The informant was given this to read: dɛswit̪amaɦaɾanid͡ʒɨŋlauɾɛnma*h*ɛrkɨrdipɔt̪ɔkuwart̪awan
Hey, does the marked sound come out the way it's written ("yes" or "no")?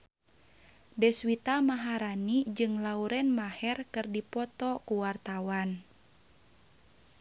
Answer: yes